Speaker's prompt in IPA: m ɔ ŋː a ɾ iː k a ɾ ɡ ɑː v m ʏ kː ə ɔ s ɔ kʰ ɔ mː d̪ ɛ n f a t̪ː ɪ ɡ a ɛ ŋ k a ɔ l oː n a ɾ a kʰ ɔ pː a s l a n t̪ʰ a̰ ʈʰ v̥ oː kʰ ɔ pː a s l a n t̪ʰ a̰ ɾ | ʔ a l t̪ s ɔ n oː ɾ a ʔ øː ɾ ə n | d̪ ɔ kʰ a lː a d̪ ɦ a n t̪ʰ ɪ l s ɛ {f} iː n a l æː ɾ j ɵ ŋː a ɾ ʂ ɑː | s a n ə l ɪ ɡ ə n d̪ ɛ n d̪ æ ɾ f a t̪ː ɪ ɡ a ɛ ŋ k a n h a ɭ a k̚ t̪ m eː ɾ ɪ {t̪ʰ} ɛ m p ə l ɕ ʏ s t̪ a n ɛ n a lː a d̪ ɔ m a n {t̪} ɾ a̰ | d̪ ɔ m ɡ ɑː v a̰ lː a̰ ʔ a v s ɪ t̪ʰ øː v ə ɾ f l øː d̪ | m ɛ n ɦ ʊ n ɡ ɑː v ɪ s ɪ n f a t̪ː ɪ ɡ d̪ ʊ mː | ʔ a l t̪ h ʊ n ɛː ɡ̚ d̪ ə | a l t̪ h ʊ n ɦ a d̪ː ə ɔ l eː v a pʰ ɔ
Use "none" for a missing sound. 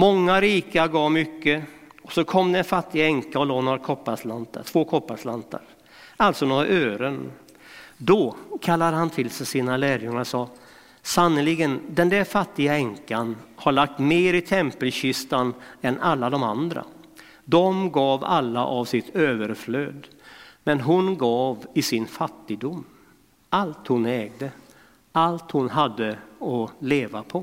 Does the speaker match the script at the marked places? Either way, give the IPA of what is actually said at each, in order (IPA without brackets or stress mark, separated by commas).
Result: s, t̪ʰ, d̪